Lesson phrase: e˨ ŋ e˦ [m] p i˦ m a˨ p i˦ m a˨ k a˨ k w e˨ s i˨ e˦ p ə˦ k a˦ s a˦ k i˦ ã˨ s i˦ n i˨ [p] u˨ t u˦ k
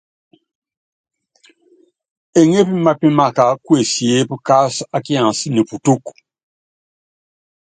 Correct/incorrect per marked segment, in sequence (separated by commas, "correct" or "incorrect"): incorrect, correct